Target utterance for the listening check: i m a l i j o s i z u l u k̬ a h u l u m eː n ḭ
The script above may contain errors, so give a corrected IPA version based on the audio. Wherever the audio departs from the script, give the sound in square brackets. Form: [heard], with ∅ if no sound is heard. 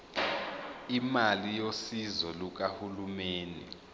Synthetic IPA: i m a l i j o s i z [ɔ] l u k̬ a h u l u m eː n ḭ